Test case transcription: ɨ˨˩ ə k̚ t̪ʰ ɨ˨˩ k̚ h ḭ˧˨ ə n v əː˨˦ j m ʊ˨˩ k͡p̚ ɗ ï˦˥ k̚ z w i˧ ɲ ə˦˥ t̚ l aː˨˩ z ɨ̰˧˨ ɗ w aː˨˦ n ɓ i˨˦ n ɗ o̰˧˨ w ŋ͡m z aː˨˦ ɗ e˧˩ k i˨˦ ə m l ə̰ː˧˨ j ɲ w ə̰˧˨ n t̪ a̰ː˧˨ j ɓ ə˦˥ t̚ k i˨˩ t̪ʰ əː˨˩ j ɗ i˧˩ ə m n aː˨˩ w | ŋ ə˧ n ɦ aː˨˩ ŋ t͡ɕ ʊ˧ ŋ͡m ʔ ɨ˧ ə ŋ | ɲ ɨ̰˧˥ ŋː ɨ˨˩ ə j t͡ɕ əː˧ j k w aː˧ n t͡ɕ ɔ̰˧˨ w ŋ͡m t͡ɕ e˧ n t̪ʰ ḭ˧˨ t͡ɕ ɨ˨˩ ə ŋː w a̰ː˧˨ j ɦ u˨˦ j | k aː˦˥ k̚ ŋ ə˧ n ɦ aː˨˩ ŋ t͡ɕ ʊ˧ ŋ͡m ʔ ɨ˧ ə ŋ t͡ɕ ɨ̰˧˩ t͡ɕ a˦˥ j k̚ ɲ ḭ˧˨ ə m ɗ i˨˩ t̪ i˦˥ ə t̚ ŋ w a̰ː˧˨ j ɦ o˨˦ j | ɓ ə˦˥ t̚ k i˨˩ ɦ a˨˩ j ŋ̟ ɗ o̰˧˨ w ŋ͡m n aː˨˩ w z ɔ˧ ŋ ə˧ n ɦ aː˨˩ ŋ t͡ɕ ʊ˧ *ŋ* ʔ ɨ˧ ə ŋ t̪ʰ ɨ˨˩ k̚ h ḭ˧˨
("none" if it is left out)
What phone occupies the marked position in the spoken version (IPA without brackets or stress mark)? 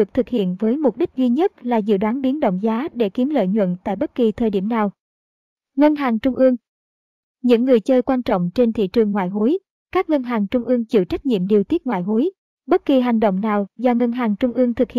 ŋ͡m